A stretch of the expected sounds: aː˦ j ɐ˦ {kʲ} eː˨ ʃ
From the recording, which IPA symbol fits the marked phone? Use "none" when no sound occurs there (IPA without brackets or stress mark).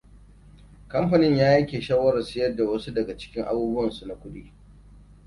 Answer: kʲ